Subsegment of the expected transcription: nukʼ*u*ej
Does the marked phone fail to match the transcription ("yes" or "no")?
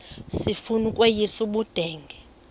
yes